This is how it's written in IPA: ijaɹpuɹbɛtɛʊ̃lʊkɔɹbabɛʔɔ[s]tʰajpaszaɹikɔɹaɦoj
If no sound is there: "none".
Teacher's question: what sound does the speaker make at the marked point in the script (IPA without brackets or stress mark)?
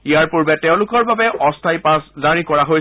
s